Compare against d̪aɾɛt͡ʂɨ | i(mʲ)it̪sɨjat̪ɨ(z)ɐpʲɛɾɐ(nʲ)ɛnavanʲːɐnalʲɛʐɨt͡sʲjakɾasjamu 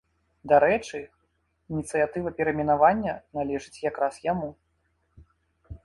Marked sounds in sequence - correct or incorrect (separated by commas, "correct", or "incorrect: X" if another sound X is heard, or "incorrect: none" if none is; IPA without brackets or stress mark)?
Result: incorrect: nʲ, incorrect: v, incorrect: mʲ